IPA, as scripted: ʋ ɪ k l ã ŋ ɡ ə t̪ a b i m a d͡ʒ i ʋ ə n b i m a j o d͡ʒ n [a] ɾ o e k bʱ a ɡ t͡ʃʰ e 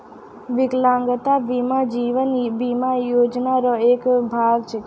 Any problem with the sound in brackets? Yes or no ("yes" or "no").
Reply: no